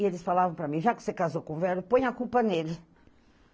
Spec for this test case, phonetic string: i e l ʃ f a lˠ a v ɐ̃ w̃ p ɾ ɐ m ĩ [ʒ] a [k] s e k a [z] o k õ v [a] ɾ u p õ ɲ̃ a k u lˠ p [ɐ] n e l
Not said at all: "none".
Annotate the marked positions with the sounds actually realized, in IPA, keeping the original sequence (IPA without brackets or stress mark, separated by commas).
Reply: ʒ, k, z, ɛ, ɐ